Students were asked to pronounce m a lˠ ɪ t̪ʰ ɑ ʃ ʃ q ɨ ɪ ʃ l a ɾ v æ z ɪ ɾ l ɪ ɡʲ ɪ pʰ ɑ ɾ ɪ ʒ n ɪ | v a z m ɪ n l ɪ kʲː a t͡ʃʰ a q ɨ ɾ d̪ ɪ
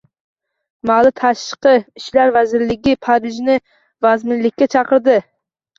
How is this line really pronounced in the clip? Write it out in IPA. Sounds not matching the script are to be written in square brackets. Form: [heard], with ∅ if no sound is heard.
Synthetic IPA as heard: m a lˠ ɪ t̪ʰ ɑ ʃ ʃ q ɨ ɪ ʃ l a ɾ v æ z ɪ ɾ l ɪ ɡʲ ɪ pʰ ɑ ɾ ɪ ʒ n ɪ | v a z m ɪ n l ɪ kʲː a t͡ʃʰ [ɑ] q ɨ ɾ d̪ ɪ